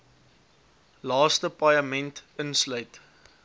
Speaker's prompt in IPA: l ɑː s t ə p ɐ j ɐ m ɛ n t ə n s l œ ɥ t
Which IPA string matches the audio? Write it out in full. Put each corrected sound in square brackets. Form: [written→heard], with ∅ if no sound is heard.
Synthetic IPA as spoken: l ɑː s t ə p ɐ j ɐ m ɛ n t ə n s l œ ɥ t